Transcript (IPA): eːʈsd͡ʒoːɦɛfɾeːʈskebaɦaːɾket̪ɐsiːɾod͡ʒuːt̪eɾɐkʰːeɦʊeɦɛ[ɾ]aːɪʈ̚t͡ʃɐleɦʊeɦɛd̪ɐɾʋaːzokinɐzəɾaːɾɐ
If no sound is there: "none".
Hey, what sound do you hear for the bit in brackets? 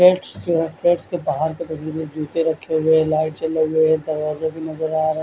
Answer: l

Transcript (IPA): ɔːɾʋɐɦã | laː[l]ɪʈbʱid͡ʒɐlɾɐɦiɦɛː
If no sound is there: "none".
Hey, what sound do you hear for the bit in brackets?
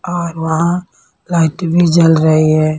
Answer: none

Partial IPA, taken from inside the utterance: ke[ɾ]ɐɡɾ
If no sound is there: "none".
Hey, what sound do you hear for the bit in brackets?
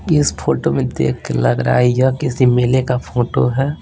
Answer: l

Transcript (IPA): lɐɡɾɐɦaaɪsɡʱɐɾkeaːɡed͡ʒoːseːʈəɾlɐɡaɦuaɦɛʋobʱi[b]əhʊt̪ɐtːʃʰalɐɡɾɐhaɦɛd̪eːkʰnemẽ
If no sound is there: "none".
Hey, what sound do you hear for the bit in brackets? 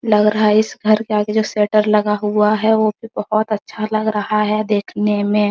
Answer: b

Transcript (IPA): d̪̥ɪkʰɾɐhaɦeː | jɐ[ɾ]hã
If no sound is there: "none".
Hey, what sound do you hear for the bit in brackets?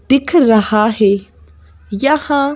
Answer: none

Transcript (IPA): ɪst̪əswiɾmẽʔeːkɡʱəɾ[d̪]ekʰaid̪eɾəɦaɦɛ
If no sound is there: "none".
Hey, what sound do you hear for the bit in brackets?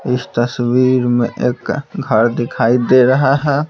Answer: d̪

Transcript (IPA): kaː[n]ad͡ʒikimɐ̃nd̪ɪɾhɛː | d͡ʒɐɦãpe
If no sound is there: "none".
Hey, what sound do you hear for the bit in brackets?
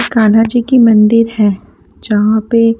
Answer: n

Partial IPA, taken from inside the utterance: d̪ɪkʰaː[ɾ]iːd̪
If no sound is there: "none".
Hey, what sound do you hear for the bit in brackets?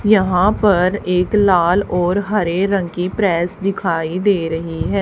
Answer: none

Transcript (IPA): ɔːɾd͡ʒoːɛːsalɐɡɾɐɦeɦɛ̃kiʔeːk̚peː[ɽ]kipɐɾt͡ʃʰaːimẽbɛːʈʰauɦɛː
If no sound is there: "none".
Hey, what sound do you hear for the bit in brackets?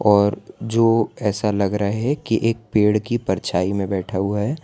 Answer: ɽ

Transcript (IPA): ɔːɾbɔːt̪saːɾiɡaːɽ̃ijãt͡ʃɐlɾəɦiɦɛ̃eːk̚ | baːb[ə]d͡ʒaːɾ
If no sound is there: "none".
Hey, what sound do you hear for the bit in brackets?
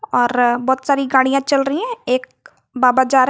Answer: a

